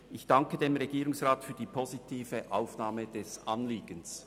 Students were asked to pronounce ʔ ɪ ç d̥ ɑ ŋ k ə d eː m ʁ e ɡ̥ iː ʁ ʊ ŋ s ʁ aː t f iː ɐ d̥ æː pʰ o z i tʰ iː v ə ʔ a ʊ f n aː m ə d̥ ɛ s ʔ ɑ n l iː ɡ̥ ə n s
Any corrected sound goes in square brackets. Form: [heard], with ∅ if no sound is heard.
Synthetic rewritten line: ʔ ɪ ç d̥ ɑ ŋ k ə d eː m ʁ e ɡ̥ iː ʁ ʊ ŋ s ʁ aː t f [yː] ɐ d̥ [iː] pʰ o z i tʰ iː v ə ʔ a ʊ f n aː m ə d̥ ɛ s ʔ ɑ n l iː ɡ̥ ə n s